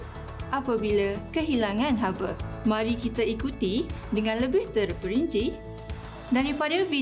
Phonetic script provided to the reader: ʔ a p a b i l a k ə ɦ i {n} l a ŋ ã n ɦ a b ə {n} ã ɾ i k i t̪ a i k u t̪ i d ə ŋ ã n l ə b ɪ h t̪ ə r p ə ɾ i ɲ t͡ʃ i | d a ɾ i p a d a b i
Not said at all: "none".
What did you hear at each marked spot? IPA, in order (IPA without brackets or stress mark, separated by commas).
none, m